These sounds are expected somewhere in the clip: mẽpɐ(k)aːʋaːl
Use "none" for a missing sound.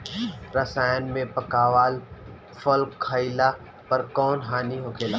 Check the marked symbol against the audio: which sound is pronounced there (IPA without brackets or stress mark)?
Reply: k